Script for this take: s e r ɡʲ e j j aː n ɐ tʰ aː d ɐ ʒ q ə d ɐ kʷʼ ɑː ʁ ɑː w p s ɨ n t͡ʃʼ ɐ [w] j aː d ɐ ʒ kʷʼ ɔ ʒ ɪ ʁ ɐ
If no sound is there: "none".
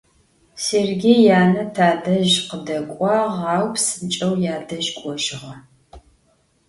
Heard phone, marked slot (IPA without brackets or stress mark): w